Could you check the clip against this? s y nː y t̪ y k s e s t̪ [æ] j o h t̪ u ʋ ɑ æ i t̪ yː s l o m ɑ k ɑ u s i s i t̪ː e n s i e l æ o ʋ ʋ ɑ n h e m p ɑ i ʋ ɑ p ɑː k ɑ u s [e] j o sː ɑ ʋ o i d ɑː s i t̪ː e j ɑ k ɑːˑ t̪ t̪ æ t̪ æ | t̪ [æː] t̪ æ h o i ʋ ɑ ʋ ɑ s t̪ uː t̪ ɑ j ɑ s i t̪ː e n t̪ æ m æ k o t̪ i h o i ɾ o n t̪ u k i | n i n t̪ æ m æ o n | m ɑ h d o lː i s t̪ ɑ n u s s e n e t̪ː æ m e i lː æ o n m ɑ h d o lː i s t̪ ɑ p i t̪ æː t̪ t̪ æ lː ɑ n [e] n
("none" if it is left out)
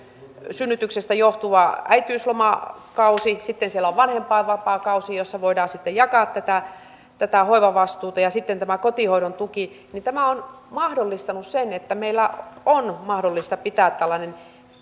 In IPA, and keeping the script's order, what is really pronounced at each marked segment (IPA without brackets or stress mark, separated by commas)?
æ, i, æ, e